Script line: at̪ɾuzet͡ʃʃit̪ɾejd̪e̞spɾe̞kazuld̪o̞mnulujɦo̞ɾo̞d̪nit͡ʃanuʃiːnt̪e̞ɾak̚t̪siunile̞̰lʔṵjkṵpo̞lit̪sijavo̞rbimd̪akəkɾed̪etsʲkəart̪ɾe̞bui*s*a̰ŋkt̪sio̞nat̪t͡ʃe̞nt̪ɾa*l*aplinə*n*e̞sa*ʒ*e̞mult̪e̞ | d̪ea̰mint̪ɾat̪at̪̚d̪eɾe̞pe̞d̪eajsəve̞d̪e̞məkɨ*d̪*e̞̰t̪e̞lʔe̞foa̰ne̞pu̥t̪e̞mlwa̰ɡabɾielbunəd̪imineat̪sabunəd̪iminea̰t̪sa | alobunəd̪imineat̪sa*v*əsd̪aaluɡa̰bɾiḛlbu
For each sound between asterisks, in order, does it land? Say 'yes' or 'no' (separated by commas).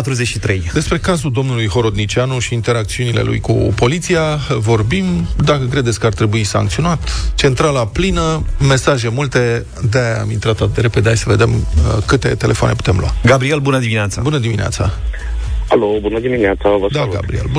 yes, yes, no, yes, no, yes